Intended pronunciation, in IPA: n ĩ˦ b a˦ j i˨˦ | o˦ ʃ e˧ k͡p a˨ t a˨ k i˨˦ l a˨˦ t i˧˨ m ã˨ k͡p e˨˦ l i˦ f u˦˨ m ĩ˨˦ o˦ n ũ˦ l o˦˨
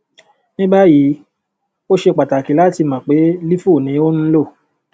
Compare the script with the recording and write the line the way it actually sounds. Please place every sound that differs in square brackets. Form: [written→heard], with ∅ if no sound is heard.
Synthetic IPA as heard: n ĩ˦ b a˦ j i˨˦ | o˦ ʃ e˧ k͡p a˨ t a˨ k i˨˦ l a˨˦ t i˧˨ m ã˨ k͡p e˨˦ l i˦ f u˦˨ [m→n] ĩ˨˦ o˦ n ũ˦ l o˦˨